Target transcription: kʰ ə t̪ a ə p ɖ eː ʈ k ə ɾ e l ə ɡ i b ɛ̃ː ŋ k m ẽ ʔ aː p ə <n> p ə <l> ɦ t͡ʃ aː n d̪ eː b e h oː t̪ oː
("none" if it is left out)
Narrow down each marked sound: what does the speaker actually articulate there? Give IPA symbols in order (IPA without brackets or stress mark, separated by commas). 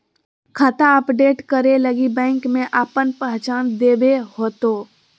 n, none